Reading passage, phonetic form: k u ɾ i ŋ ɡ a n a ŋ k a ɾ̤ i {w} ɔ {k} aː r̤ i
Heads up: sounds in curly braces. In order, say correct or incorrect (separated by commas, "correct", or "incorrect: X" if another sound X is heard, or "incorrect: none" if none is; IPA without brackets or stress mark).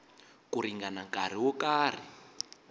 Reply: correct, correct